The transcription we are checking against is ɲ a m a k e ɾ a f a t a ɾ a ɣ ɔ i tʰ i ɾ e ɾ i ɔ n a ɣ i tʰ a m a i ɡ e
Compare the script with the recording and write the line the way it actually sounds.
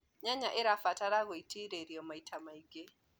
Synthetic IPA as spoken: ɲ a ɲ a ʔ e ɾ a f a t a ɾ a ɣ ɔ i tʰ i ɾ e ɾ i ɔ m a i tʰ a m a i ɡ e